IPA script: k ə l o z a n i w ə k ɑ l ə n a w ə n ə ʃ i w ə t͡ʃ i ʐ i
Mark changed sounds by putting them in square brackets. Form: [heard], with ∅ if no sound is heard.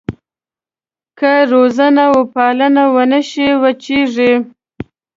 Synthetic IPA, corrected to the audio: k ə [ɾ] o z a n [a] w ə [p] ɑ l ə n a w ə n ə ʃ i w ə t͡ʃ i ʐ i